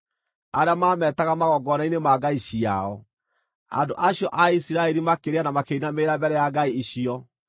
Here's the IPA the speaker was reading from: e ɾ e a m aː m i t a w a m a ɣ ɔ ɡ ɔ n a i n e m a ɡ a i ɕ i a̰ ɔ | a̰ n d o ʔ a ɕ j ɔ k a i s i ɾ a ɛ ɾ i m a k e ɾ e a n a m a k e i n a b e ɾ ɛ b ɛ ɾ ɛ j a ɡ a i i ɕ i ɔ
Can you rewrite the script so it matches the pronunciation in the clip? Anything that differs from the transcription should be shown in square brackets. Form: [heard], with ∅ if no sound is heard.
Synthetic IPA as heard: [a] ɾ e a m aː m [ɛ] t a [ɣ] a m a ɣ ɔ ɡ ɔ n a i n e m a ɡ a i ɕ i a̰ ɔ | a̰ n d o ʔ a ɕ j ɔ [ʔ] a i s i ɾ a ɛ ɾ i m a k e ɾ e a n a m a k e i n a [m] e ɾ [a] b ɛ ɾ ɛ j a ɡ a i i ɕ i ɔ